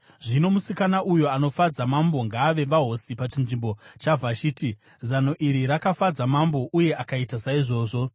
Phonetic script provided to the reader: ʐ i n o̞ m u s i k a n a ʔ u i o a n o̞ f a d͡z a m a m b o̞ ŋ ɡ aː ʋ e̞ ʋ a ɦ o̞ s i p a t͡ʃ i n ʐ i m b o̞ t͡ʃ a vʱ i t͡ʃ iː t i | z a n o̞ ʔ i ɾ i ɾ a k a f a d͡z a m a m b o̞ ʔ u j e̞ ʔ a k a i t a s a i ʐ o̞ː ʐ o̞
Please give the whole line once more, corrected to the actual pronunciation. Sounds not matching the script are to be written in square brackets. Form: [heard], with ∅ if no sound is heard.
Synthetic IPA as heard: ʐ i n o̞ m u s i k a n a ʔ u [j] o a n o̞ f a d͡z a m a m b o̞ ŋ ɡ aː ʋ e̞ ʋ a ɦ o̞ s i p a t͡ʃ i n ʐ i m b o̞ t͡ʃ a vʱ [a] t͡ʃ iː t i | z a n o̞ ʔ i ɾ i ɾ a k a f a d͡z a m a m b o̞ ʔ u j e̞ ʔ a k a i t a s a i ʐ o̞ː ʐ o̞